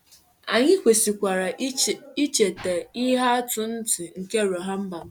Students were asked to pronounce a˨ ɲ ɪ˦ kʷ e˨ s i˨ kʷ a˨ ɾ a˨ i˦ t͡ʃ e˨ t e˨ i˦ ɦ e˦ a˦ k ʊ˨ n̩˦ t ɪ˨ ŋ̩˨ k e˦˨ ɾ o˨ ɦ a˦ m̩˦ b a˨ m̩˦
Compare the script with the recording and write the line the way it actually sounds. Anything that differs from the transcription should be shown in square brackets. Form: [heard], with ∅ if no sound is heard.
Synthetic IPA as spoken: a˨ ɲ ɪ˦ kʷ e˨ s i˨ kʷ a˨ ɾ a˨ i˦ t͡ʃ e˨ t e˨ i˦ ɦ [a˦] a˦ [t] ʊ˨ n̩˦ t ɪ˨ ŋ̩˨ k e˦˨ ɾ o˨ ɦ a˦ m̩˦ b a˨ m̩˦